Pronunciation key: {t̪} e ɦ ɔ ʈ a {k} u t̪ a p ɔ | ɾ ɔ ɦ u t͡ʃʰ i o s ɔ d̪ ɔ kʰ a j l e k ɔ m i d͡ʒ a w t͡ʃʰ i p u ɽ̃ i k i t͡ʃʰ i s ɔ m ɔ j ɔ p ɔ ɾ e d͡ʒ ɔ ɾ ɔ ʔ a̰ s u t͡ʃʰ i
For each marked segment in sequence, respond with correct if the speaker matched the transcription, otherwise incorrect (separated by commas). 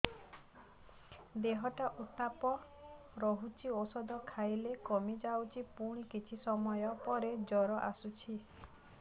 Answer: incorrect, incorrect